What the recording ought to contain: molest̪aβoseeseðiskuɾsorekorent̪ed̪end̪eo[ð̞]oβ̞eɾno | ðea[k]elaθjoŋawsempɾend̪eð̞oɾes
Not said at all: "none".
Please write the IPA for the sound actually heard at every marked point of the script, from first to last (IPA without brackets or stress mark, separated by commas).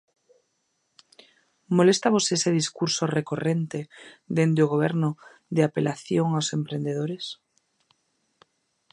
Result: ɣ̞, p